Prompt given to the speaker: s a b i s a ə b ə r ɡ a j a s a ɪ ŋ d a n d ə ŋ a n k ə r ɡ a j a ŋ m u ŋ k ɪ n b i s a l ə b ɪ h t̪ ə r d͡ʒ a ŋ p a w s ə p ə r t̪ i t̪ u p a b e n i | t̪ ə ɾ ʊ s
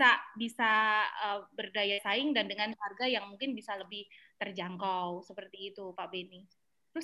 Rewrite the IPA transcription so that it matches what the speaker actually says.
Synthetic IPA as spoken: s a b i s a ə b ə r d a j a s a ɪ ŋ d a n d ə ŋ a n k a r ɡ a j a ŋ m u ŋ k ɪ n b i s a l ə b ɪ h t̪ ə r d͡ʒ a ŋ k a w s ə p ə r t̪ iː t̪ u p a b e n i | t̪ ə ɾ ʊ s